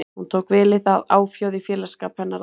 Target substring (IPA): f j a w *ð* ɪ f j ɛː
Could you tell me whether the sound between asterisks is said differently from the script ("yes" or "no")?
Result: no